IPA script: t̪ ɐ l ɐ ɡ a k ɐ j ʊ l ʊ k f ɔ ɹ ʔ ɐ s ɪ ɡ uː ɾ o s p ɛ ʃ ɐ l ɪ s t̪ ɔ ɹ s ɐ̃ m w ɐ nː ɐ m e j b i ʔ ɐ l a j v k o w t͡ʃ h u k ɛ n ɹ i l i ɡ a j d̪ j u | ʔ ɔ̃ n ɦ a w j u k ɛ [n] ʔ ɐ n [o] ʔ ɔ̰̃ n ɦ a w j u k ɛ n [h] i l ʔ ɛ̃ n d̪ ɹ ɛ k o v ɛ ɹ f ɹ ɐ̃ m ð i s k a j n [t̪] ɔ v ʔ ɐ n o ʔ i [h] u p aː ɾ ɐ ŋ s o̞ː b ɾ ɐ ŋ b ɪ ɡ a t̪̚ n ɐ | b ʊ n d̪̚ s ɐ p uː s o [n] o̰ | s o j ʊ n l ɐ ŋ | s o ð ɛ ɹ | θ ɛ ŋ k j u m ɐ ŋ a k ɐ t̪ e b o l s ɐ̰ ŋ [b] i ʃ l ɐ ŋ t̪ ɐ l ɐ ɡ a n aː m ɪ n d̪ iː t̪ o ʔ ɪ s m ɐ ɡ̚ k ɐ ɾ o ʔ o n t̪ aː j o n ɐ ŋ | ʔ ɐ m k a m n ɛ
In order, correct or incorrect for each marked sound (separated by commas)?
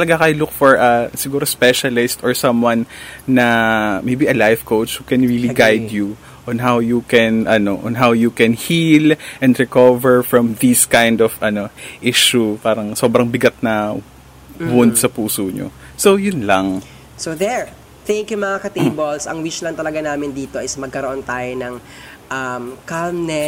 correct, correct, correct, incorrect, incorrect, incorrect, incorrect